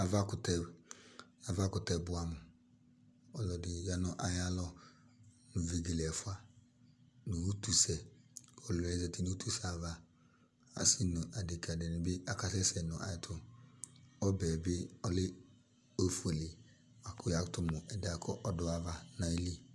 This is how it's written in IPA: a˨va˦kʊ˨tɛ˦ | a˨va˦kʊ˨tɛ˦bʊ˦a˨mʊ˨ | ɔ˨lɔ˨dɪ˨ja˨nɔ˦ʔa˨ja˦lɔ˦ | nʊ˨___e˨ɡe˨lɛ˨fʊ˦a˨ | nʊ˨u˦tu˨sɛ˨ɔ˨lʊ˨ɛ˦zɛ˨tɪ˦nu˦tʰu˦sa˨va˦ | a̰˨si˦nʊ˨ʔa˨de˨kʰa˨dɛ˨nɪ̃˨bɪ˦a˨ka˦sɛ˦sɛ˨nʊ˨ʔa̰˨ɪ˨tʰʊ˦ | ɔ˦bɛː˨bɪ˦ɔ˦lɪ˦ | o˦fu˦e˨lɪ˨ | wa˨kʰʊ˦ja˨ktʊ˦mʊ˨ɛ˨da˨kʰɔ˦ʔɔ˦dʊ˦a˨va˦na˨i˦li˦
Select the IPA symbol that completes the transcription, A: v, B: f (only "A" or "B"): A